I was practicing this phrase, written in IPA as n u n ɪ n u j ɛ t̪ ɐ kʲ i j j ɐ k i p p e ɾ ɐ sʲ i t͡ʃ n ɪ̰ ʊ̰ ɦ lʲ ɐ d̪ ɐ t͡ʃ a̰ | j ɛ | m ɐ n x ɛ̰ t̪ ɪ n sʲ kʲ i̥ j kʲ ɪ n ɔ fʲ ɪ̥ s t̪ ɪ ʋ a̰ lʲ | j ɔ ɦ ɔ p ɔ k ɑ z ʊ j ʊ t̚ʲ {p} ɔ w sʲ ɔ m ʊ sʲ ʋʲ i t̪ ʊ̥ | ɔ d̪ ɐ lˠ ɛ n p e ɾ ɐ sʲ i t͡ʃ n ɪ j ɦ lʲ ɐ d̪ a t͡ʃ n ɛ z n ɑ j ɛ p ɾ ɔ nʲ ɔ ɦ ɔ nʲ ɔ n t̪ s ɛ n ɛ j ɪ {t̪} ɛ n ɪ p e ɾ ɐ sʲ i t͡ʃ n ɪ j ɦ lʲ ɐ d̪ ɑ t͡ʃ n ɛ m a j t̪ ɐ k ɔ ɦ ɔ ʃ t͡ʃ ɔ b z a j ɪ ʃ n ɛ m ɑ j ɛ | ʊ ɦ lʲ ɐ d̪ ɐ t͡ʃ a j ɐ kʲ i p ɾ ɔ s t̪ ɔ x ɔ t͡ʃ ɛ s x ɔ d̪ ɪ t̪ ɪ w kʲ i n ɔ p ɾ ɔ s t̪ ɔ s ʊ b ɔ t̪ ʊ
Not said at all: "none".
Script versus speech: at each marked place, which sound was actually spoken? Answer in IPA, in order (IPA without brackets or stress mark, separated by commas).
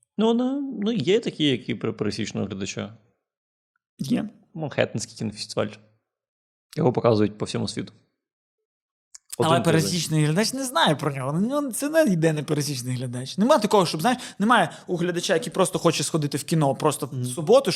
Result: p, d̪